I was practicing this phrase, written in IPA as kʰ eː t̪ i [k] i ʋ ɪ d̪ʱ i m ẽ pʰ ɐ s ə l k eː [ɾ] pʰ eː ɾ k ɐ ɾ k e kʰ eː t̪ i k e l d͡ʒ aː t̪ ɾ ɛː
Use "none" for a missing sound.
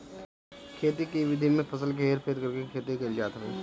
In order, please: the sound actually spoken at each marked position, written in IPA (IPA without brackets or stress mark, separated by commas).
k, ɾ